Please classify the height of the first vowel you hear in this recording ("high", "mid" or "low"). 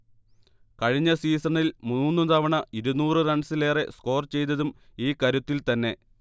low